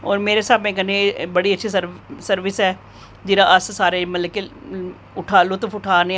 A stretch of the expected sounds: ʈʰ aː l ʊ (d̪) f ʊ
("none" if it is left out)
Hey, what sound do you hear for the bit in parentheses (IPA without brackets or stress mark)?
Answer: t̪